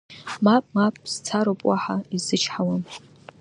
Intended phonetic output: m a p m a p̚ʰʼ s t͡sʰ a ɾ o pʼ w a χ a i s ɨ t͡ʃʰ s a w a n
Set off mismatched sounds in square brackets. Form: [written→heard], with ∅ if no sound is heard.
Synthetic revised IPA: m a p m a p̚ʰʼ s t͡sʰ a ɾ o pʼ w a [χ→ħ] a i [s→z] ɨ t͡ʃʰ [s→ħ] a w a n